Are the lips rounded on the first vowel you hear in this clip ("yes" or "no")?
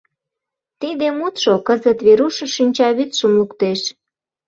no